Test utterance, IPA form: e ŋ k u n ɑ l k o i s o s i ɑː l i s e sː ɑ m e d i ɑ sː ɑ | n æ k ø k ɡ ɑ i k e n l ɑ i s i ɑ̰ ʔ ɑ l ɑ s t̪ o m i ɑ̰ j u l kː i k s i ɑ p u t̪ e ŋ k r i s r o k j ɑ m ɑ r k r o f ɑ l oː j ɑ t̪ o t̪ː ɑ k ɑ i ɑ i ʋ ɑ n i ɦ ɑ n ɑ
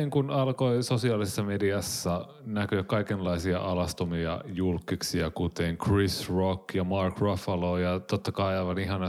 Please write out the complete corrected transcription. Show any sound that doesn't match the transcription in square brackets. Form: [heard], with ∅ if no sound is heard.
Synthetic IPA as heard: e ŋ k u n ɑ l k o i s o s i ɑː l i s e sː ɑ m e d i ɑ sː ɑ | n æ k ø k [k] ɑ i k e n l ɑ i s i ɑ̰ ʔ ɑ l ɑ s t̪ o m i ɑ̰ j u l kː i k s i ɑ [k] u t̪ e ŋ k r i s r o k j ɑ m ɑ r k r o f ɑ l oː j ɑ t̪ o t̪ː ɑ k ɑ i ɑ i ʋ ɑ n i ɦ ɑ n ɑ